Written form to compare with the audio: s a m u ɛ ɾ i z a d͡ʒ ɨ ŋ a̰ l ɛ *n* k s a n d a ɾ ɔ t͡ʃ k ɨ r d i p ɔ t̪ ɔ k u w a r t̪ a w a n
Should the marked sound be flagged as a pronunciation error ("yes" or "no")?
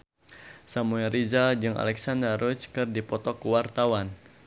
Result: yes